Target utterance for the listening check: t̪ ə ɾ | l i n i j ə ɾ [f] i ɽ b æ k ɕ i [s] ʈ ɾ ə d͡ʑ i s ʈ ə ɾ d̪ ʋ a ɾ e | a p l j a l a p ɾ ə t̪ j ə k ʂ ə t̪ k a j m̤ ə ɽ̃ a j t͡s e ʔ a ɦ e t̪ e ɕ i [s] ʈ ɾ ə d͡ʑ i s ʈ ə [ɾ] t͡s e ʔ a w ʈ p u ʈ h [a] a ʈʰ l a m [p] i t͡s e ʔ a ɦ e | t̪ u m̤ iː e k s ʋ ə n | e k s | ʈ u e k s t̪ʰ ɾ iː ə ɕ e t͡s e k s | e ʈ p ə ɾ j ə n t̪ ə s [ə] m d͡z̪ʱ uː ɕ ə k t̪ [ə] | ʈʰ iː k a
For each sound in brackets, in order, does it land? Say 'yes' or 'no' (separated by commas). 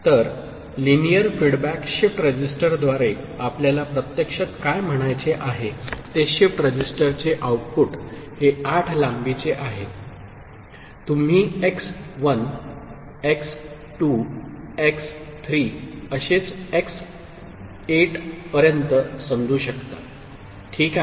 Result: yes, no, no, yes, no, no, yes, no